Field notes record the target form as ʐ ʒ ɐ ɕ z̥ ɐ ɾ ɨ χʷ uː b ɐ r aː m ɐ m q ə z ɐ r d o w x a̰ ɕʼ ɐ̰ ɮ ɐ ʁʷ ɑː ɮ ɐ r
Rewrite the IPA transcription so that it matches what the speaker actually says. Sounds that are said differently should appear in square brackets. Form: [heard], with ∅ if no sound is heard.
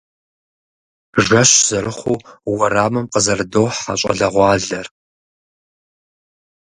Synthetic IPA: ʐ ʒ ɐ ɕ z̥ ɐ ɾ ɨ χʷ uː [w] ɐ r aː m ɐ m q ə z ɐ r d o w [ħ] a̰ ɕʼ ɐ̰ ɮ ɐ ʁʷ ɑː ɮ ɐ r